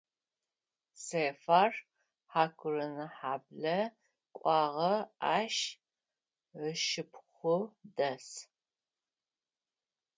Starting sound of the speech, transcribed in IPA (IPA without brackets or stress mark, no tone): s